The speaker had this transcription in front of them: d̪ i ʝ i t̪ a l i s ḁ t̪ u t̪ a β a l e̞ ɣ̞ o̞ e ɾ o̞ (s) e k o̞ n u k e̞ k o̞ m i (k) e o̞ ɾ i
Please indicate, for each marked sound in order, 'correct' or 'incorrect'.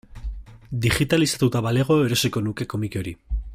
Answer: correct, correct

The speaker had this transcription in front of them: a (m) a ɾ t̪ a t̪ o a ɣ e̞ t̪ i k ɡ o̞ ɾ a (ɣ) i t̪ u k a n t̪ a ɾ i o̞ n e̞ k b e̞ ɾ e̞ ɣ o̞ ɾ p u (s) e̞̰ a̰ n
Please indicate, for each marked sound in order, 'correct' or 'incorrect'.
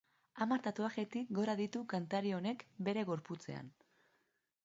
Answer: correct, incorrect, incorrect

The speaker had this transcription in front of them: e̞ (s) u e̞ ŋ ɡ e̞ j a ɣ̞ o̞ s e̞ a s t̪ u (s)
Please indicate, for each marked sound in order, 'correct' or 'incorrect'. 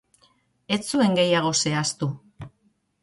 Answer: incorrect, incorrect

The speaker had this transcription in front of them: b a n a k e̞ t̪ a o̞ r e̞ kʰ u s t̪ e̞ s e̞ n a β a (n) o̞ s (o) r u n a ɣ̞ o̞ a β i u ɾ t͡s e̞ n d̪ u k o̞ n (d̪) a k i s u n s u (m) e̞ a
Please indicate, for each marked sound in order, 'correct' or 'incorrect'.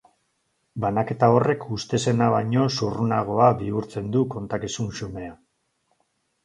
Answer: incorrect, incorrect, incorrect, correct

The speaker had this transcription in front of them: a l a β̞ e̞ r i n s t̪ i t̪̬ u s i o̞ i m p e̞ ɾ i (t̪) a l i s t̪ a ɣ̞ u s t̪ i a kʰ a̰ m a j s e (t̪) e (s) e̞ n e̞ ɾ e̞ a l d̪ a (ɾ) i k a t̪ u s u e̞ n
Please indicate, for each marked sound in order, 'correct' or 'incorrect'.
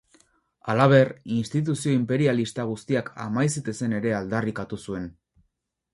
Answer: incorrect, correct, correct, incorrect

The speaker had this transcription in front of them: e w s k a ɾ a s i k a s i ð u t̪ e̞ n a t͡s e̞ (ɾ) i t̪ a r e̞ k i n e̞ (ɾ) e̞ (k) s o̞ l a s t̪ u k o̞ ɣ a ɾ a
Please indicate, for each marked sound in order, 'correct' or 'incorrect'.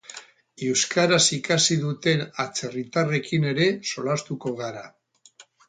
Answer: incorrect, correct, incorrect

